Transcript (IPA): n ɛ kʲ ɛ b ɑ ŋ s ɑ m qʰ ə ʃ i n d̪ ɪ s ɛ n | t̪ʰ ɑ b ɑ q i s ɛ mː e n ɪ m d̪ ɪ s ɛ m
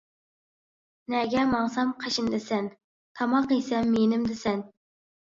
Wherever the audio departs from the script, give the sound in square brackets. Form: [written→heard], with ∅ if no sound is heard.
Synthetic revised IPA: n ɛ [kʲ→ɡʲ] ɛ [b→m] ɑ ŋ s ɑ m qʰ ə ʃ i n d̪ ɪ s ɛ n | t̪ʰ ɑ [b→m] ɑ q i s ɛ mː e n ɪ m d̪ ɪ s ɛ [m→n]